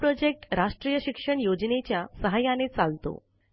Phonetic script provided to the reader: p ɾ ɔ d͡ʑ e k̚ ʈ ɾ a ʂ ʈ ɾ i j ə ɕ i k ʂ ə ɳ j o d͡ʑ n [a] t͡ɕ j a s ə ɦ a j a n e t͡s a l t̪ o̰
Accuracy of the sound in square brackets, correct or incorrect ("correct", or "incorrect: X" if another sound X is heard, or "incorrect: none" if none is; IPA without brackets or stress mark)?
incorrect: e